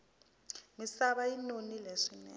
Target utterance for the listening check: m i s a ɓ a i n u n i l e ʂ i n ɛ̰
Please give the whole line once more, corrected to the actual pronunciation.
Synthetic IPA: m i s a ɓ a i n o n i l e ʂ i n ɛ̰